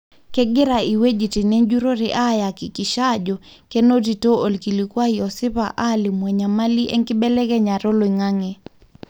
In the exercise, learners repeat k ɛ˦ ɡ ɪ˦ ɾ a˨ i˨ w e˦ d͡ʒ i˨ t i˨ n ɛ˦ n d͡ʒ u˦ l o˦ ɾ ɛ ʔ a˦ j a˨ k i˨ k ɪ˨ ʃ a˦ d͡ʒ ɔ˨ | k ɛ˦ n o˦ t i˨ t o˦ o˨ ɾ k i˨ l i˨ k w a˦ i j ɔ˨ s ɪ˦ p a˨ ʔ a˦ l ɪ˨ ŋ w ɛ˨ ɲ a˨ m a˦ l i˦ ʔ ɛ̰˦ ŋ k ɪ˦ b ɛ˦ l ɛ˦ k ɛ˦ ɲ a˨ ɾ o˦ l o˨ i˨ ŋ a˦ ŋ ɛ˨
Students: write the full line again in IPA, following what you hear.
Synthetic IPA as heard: k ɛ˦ ɡ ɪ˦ ɾ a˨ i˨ w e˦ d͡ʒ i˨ t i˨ n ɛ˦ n d͡ʒ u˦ ɾ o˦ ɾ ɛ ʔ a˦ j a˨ k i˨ k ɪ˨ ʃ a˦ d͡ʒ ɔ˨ | k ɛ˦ n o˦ t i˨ t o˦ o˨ l k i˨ l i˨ k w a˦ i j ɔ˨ s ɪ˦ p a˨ ʔ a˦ l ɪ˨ m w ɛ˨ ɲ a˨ m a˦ l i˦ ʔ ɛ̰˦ ŋ k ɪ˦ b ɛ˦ l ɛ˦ k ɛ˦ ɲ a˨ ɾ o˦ l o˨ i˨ ŋ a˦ ŋ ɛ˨